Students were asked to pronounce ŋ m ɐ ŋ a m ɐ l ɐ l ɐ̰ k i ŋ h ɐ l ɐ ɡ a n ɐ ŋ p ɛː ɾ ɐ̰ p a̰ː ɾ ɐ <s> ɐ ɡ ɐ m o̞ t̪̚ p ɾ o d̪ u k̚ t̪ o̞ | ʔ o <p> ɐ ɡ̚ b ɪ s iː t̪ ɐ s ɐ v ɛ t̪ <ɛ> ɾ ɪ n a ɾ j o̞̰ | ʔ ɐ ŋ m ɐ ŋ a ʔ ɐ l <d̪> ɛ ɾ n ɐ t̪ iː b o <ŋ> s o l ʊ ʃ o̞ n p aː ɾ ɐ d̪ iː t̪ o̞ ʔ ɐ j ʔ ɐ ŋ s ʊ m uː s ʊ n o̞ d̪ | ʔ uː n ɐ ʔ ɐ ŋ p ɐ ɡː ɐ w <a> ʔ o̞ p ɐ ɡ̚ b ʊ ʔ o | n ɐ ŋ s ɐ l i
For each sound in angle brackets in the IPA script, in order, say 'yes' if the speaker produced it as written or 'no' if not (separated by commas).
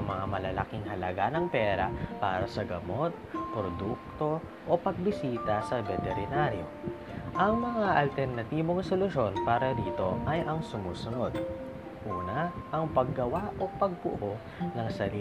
yes, yes, yes, no, yes, yes